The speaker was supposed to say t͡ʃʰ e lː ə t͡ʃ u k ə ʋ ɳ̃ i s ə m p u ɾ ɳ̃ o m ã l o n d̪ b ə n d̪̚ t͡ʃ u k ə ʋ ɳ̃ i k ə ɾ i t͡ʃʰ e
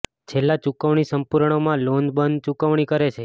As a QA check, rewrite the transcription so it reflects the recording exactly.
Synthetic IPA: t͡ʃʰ e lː a t͡ʃ u k ə ʋ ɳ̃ i s ə m p u ɾ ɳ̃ o m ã l o n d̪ b ə n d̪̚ t͡ʃ u k ə ʋ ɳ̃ i k ə ɾ e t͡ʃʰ e